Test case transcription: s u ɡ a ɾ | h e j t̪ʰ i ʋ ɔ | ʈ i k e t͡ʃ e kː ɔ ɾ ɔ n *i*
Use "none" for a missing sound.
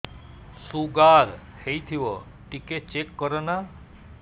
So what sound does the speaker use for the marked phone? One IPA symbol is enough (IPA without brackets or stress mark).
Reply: a